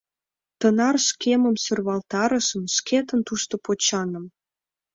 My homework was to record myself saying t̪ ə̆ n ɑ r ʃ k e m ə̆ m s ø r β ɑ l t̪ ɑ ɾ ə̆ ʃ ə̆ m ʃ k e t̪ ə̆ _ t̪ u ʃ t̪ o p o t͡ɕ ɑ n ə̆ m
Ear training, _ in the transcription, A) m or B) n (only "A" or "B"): B